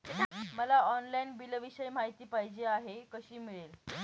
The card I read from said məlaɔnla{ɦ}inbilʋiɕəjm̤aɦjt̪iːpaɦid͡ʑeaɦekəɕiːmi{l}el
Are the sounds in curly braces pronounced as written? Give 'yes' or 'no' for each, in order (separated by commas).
no, no